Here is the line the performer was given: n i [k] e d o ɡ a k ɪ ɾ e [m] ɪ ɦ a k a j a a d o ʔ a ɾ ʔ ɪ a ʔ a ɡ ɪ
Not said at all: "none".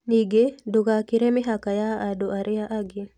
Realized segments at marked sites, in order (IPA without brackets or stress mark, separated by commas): ɡ, m